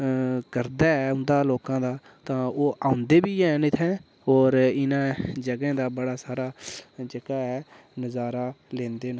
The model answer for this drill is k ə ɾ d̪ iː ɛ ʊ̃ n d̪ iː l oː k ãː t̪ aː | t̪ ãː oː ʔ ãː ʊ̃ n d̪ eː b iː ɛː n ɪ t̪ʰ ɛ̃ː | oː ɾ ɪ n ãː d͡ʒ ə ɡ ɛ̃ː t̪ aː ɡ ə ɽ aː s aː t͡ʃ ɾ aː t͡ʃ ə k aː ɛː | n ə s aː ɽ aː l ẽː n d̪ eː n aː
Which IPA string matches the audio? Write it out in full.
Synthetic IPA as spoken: k ə ɾ d̪ aː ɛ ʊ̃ n d̪ aː l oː k ãː d̪ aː | t̪ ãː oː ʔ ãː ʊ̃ n d̪ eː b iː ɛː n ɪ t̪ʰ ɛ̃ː | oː ɾ ɪ n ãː d͡ʒ ə ɡ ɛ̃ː d̪ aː b ə ɽ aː s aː ɾ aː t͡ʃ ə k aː ɛː | n ə z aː ɾ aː l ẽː n d̪ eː n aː